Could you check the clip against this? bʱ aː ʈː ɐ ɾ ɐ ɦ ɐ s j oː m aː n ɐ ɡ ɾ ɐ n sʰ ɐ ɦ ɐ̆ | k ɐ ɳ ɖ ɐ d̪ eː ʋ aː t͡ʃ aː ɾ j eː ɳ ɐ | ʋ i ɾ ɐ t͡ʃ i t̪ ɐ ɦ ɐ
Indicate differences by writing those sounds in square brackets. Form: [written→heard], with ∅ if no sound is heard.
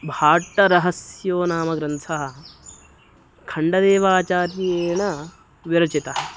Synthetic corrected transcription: bʱ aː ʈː ɐ ɾ ɐ ɦ ɐ s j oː [m→n] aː [n→m] ɐ ɡ ɾ ɐ n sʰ ɐ ɦ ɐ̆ | [k→kʰ] ɐ ɳ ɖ ɐ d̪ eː ʋ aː t͡ʃ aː ɾ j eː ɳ ɐ | ʋ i ɾ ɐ t͡ʃ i t̪ ɐ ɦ ɐ